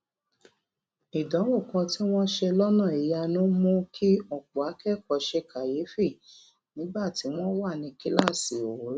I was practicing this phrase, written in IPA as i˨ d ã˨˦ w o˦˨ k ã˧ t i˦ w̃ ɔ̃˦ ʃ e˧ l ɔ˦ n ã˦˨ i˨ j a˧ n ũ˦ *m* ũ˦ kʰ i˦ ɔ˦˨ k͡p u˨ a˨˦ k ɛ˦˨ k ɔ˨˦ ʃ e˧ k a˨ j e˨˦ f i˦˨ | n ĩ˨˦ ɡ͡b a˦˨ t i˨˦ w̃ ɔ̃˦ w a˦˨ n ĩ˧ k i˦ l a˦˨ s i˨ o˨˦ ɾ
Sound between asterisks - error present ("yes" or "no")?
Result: no